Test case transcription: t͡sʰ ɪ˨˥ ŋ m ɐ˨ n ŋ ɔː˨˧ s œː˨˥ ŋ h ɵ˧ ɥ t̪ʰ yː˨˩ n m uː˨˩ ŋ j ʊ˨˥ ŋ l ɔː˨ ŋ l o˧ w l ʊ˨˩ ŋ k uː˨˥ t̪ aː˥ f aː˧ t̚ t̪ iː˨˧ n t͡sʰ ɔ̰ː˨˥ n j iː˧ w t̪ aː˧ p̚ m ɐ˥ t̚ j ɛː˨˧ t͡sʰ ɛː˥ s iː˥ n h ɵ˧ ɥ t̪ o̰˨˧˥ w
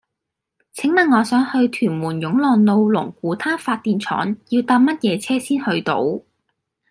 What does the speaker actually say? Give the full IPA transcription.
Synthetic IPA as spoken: t͡sʰ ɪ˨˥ ŋ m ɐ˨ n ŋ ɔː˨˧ s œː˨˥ ŋ h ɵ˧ ɥ t̪ʰ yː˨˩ n m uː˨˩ n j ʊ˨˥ ŋ l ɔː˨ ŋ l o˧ w l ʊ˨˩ ŋ k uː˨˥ t̪ʰ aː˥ f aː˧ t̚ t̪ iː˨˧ n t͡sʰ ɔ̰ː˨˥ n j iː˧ w t̪ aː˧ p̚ m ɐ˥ t̚ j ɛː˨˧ t͡sʰ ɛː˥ s iː˥ n h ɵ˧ ɥ t̪ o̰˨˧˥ w